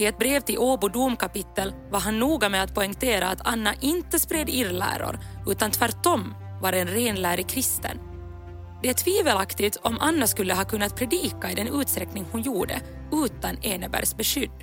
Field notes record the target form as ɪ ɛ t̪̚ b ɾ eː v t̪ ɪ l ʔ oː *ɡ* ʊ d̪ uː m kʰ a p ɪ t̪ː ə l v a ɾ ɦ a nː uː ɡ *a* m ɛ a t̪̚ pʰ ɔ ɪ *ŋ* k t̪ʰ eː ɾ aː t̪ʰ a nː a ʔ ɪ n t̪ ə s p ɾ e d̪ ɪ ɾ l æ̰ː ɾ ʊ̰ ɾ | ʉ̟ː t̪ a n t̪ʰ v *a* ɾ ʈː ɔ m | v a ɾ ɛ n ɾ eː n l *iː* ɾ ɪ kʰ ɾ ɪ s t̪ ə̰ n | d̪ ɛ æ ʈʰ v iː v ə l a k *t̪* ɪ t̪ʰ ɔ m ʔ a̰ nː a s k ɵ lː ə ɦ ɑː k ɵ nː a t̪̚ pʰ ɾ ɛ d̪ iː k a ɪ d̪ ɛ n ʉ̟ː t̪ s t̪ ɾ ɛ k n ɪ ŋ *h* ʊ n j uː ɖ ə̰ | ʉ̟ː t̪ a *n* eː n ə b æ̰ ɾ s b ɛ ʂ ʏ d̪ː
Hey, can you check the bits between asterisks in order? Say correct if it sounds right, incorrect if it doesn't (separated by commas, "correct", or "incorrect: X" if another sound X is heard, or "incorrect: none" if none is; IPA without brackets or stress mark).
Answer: incorrect: b, correct, correct, incorrect: æ, incorrect: æː, correct, correct, correct